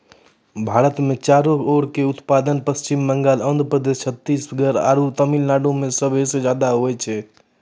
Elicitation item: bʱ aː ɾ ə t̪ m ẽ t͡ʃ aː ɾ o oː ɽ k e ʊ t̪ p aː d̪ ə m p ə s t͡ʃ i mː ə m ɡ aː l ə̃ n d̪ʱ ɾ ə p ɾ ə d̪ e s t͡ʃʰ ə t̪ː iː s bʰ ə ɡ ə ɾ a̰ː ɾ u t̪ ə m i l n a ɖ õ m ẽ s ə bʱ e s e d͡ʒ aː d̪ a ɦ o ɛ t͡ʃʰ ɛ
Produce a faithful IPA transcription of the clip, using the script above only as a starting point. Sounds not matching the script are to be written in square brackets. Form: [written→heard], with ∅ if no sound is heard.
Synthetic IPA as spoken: bʱ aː ɾ ə t̪ m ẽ t͡ʃ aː ɾ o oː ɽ k e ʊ t̪ p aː d̪ ə [m→n] p ə s t͡ʃ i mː ə [m→ŋ] ɡ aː l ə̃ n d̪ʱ ɾ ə p ɾ ə d̪ e s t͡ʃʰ ə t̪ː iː s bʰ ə ɡ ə ɾ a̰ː ɾ u t̪ ə m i l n a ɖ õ m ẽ s ə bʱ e s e d͡ʒ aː d̪ a ɦ o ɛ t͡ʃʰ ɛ

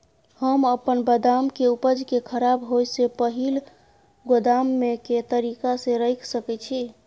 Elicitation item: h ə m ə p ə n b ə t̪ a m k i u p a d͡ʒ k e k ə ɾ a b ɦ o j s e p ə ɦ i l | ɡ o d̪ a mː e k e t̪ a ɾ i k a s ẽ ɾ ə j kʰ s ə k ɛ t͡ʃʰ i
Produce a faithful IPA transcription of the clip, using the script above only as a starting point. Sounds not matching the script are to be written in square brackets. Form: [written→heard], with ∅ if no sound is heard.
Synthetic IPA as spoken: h ə m ə p ə n b ə [t̪→d̪] a m k [i→e] u p [a→ə] d͡ʒ k e [k→kʰ] ə ɾ a b ɦ o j s e p ə ɦ i l | ɡ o d̪ a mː e k e t̪ [a→ə] ɾ i k a s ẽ ɾ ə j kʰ s ə k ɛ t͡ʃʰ i

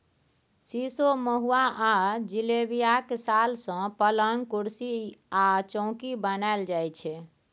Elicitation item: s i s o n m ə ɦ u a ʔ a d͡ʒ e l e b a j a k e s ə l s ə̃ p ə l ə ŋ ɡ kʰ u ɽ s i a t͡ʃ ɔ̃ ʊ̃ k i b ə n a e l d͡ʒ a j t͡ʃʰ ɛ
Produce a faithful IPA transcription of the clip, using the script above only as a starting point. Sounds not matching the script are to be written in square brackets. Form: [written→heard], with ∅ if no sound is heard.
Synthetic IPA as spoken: s i s o [n→∅] m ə ɦ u a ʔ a d͡ʒ [e→i] l e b [a→i] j a k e s [ə→a] l s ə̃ p ə l ə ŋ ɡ [kʰ→k] u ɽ s i a t͡ʃ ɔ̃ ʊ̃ k i b ə n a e l d͡ʒ a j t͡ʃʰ ɛ

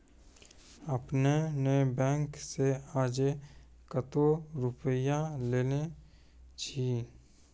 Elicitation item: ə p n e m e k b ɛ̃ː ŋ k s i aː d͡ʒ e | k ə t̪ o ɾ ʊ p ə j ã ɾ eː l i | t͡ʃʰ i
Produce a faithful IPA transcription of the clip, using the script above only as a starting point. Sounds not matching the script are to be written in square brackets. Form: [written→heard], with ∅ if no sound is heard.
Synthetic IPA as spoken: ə p n e [m→n] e [k→∅] b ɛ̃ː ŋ k s [i→e] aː d͡ʒ e | k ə t̪ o ɾ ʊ p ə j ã [ɾ→l] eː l [i→e] | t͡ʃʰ i

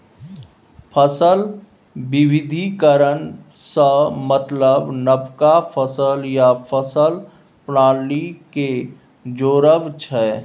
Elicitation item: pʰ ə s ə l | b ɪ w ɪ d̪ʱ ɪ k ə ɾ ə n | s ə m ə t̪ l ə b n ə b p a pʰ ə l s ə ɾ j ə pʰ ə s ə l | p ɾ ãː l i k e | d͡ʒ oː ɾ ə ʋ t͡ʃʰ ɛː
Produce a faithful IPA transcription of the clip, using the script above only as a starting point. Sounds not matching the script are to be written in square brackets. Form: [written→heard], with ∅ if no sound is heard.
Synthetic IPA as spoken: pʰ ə s ə l | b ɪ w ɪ d̪ʱ [ɪ→i] k ə ɾ ə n | s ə m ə t̪ l ə b n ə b [p→k] a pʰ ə [l→∅] s ə [ɾ→l] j [ə→a] pʰ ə s ə l | p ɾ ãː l i k e | d͡ʒ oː ɾ ə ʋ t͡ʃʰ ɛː

